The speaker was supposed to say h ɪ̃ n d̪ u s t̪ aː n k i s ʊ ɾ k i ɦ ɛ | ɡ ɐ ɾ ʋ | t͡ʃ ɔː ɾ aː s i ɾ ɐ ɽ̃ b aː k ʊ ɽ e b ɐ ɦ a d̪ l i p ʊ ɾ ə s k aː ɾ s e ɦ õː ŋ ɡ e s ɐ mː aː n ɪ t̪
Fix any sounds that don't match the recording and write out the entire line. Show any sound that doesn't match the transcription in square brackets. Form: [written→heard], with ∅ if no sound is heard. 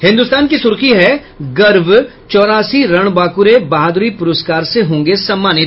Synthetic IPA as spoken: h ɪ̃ n d̪ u s t̪ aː n k i s ʊ ɾ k i ɦ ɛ | ɡ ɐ ɾ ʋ | t͡ʃ ɔː ɾ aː s i ɾ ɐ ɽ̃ b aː k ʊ [ɽ→ɾ] e b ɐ ɦ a d̪ [l→ɾ] i p ʊ ɾ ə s k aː ɾ s e ɦ õː ŋ ɡ e s ɐ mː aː n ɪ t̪

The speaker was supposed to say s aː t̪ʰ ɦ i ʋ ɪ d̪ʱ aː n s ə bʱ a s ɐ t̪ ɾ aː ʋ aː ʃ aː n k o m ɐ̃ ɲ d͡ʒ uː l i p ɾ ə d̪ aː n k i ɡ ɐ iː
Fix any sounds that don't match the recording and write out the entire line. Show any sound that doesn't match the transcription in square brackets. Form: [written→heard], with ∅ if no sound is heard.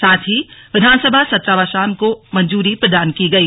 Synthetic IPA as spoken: s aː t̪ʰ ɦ i ʋ ɪ d̪ʱ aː n s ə bʱ a s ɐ t̪ ɾ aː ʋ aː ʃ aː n k o m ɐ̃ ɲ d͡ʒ uː [l→ɾ] i p ɾ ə d̪ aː n k i ɡ ɐ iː

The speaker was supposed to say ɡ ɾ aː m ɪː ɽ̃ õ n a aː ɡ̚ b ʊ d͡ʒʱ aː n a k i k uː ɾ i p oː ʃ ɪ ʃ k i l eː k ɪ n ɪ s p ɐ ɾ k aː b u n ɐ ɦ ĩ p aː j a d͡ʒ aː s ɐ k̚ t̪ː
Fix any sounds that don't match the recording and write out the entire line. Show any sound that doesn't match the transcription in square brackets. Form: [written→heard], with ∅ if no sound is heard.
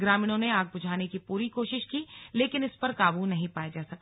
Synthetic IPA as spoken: ɡ ɾ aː m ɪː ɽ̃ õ n [a→e] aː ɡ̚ b ʊ d͡ʒʱ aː n [a→e] k i [k→p] uː ɾ i [p→k] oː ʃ ɪ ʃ k i l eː k ɪ n ɪ s p ɐ ɾ k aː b u n ɐ ɦ ĩ p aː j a d͡ʒ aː s ɐ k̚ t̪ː

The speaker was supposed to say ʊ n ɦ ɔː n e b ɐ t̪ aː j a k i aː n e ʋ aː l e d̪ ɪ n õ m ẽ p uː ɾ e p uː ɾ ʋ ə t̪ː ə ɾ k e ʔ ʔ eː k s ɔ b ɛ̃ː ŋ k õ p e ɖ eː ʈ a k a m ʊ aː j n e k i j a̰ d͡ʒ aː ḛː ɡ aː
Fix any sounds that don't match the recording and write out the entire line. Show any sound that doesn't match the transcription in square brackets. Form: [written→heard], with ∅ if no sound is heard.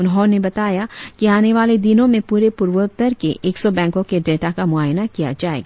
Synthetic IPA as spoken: ʊ n ɦ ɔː n e b ɐ t̪ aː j a k i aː n e ʋ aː l e d̪ ɪ n õ m ẽ p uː ɾ e p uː ɾ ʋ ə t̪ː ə ɾ k e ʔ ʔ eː k s ɔ b ɛ̃ː ŋ k õ [p→k] e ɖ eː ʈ a k a m ʊ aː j n [e→a] k i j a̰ d͡ʒ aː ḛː ɡ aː

